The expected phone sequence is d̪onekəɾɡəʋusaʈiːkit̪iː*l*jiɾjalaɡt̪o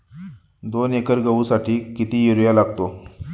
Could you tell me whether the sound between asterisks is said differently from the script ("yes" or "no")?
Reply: yes